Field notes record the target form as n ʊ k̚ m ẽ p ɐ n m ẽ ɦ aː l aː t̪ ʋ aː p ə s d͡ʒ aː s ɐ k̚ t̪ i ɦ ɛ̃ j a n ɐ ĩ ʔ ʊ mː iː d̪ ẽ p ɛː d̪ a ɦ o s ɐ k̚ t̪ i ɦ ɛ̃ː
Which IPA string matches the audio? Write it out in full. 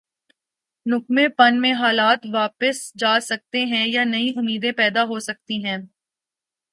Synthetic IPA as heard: n ʊ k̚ m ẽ p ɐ n m ẽ ɦ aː l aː t̪ ʋ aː p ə s d͡ʒ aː s ɐ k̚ t̪ e ɦ ɛ̃ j a n ɐ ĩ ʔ ʊ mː iː d̪ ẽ p ɛː d̪ a ɦ o s ɐ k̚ t̪ i ɦ ɛ̃ː